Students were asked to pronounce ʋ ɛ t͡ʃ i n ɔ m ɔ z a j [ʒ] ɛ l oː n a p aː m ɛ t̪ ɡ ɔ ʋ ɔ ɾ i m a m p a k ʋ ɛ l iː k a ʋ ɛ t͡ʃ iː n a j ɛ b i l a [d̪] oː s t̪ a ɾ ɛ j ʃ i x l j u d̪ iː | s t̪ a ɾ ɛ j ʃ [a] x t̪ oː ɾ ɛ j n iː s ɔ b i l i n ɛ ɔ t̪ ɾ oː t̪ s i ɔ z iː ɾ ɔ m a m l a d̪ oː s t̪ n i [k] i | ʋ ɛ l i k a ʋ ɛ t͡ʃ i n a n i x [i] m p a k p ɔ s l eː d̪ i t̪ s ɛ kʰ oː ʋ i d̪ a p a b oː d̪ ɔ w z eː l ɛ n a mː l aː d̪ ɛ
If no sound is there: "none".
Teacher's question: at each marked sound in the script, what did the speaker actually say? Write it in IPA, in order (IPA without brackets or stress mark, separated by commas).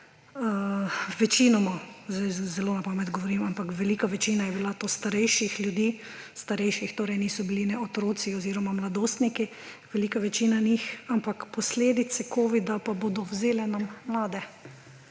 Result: z, t̪, i, k, a